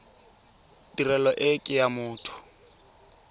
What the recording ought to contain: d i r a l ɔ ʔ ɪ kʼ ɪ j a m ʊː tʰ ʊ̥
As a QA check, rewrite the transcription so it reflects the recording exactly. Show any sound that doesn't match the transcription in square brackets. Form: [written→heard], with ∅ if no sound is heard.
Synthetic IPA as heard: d i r [a→ɛ] l ɔ ʔ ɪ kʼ ɪ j a m ʊː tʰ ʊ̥